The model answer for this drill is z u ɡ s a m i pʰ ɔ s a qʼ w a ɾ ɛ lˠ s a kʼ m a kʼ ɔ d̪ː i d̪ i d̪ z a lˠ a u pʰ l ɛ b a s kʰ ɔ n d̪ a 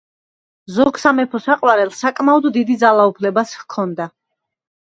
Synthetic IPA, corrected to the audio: z ɔ ɡ s a m ɛ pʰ ɔ s a qʼ w a ɾ ɛ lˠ s a kʼ m a ɔ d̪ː i d̪ i d̪ z a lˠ a u pʰ l ɛ b a s kʰ ɔ n d̪ a